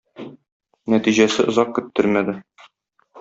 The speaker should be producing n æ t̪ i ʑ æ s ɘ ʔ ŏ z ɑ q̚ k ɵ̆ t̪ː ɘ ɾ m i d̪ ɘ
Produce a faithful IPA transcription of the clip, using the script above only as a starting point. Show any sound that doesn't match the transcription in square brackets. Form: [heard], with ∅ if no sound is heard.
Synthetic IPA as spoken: n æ t̪ i ʑ æ s ɘ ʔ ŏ z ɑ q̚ k ɵ̆ t̪ː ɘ ɾ m [æ] d̪ ɘ